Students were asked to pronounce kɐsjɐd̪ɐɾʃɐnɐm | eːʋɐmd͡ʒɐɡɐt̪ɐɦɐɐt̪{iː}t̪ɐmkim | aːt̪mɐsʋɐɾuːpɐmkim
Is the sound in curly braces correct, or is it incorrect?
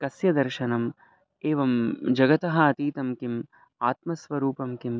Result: correct